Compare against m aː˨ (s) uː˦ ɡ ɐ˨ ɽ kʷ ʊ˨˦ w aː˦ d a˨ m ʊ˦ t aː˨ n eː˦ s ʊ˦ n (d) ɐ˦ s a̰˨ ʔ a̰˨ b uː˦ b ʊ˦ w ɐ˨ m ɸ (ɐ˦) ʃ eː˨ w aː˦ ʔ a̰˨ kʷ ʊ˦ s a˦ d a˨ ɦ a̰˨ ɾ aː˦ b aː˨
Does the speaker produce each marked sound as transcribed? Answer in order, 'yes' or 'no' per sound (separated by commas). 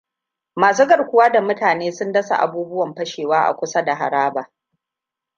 yes, yes, yes